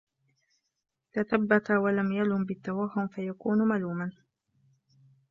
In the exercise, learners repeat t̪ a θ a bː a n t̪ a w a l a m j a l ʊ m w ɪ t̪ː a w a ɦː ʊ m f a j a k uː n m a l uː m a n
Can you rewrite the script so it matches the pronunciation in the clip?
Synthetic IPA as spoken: t̪ a θ a bː a t̪ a w a l a m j a l ʊ m b ɪ t̪ː a w a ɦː ʊ m f a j a k uː n m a l uː m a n